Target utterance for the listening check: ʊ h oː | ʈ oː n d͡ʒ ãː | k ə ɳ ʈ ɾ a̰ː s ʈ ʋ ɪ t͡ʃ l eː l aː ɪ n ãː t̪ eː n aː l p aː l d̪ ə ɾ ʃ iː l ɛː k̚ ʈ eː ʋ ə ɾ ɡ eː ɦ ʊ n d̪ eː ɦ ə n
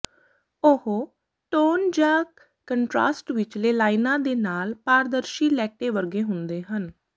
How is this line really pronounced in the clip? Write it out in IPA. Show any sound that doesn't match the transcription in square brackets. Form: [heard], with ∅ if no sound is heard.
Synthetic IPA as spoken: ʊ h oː | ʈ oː n d͡ʒ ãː | k ə ɳ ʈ ɾ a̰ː s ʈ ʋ ɪ t͡ʃ l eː l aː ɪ n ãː [d̪] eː n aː l p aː [ɾ] d̪ ə ɾ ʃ iː l ɛː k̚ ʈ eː ʋ ə ɾ ɡ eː ɦ ʊ n d̪ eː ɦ ə n